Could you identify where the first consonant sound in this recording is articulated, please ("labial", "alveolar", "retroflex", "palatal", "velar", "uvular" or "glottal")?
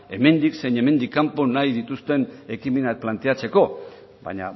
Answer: labial